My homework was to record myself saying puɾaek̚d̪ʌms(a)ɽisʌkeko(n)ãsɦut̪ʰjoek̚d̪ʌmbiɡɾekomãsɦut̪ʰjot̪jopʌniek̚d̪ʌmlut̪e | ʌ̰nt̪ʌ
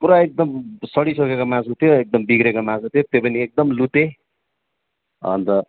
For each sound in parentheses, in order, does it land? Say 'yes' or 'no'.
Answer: no, no

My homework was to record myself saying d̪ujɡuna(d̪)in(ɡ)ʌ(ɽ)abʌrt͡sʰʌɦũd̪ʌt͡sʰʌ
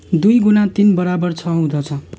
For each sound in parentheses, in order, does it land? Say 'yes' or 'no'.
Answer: no, no, no

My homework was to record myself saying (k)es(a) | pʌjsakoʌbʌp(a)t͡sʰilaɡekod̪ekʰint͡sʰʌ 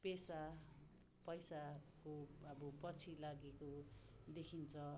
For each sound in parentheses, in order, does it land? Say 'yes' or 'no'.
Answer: no, yes, no

